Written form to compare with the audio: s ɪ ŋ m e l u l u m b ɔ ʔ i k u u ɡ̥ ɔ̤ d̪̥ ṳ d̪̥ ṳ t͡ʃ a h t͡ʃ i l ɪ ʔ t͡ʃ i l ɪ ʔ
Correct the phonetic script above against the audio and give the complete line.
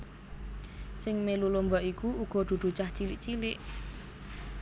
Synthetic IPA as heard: s ɪ ŋ m e l u l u m b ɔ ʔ i k u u ɡ̥ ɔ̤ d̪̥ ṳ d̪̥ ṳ t͡ʃ a h t͡ʃ i l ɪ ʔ t͡ʃ i l ɪ ʔ